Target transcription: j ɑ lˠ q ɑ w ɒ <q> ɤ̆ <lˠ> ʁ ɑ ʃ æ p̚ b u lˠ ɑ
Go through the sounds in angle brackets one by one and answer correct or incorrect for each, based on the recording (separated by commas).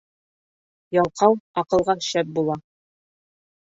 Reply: correct, correct